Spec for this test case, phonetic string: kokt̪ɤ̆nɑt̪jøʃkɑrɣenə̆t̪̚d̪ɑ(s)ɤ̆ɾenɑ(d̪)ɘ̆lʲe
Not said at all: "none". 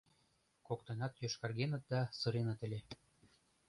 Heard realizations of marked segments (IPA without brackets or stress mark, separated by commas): s, t̪